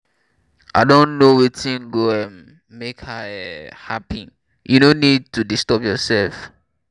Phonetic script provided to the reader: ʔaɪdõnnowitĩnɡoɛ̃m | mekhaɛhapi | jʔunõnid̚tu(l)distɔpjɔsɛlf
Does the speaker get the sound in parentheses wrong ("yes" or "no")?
yes